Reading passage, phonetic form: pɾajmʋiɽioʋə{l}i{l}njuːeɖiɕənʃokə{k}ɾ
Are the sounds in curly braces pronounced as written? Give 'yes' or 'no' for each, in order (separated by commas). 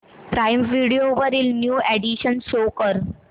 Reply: no, yes, no